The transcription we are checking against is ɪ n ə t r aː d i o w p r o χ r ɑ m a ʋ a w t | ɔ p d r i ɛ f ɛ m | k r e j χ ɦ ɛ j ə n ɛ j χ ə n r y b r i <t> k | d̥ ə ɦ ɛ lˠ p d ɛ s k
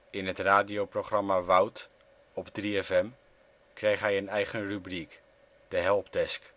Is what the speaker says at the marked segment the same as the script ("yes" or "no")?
no